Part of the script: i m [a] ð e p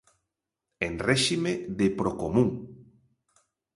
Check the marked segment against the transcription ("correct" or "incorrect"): incorrect